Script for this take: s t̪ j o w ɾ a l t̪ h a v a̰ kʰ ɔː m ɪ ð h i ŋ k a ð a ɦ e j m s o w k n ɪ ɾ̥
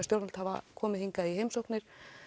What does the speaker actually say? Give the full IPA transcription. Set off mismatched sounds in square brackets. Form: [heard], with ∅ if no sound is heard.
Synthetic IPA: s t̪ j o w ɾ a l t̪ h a v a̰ kʰ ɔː m ɪ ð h i ŋ k a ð [i] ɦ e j m s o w k n ɪ ɾ̥

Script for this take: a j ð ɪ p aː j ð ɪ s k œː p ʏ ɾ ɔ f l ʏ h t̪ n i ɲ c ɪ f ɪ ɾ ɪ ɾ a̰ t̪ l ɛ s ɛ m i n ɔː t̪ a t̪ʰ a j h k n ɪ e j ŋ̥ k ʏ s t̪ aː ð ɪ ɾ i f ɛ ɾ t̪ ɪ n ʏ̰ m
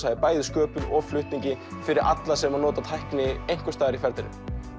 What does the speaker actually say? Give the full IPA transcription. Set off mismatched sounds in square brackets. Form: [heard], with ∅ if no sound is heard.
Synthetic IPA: a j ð ɪ p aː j ð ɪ s k œː p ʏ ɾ ɔ f l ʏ h t̪ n i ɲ c ɪ f ɪ ɾ ɪ ɾ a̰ t̪ l [a] s ɛ m [a] n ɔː t̪ a t̪ʰ a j h k n ɪ e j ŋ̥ k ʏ s t̪ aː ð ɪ ɾ i f ɛ ɾ t̪ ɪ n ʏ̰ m

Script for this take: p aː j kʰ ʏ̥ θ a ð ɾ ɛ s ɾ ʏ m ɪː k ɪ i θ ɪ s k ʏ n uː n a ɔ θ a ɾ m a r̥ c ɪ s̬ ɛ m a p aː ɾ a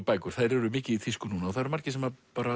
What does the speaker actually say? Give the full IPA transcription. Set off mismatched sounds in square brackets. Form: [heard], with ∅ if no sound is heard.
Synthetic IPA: p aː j [k] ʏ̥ θ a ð ɾ ɛ [∅] ɾ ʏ m ɪː [c] ɪ i θ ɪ s k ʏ n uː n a ɔ θ a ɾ m a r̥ c ɪ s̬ ɛ m a p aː ɾ a

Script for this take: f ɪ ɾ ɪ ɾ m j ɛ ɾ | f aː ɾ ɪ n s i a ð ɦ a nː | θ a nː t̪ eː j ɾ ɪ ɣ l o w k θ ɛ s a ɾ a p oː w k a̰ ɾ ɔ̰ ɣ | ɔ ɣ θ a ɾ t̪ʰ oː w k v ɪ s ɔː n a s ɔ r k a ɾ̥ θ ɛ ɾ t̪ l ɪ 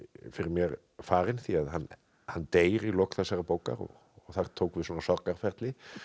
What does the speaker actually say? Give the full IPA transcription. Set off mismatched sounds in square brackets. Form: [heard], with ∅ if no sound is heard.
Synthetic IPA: f ɪ ɾ ɪ ɾ m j ɛ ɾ | f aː ɾ ɪ n [θ] i a ð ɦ a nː | [h] a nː t̪ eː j ɾ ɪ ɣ l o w k θ [a] s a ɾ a p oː w k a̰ ɾ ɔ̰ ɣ | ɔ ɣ θ a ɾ t̪ʰ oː w k v ɪ s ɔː n a s ɔ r k a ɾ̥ [f] ɛ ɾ t̪ l ɪ

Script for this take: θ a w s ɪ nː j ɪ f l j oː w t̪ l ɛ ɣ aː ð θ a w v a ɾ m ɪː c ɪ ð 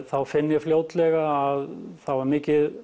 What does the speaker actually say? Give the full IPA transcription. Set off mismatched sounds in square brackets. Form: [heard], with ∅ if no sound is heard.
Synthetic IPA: θ a w [f] ɪ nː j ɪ f l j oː w t̪ l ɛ ɣ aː ð θ a w v a ɾ m ɪː c ɪ ð

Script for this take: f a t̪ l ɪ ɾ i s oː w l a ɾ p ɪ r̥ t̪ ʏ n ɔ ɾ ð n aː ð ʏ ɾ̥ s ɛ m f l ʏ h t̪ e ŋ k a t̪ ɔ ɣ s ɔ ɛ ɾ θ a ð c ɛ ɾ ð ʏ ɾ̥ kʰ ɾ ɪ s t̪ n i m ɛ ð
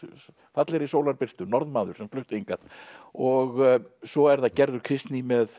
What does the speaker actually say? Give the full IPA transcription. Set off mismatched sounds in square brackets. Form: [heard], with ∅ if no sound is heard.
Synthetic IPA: f a t̪ l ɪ ɾ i s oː w l a ɾ p ɪ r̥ t̪ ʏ n ɔ ɾ ð [m] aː ð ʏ ɾ̥ s ɛ m f l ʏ h t̪ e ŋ k a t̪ ɔ ɣ s ɔ ɛ ɾ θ a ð c ɛ ɾ ð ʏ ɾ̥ kʰ ɾ ɪ s t̪ n i m ɛ ð

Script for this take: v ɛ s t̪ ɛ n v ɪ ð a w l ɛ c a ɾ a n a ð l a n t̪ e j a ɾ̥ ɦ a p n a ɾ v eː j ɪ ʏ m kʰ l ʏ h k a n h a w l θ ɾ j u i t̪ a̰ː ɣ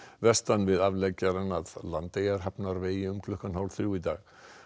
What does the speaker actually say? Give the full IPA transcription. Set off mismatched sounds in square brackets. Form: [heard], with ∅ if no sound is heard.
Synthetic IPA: v ɛ s t̪ [a] n v ɪ ð a [v] l ɛ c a ɾ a n a ð l a n t̪ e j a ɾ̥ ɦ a p n a ɾ v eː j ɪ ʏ m kʰ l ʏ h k a n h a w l θ ɾ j u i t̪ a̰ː ɣ

